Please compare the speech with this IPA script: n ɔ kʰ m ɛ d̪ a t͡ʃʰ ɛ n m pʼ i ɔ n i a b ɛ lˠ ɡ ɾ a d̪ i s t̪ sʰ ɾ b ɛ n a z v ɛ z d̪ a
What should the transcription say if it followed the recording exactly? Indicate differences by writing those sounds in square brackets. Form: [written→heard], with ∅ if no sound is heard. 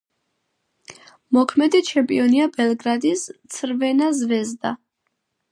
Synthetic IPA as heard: [n→m] ɔ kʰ m ɛ d̪ [a→i] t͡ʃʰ ɛ [n→∅] m pʼ i ɔ n i a b ɛ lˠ ɡ ɾ a d̪ i s t̪ sʰ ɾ [b→v] ɛ n a z v ɛ z d̪ a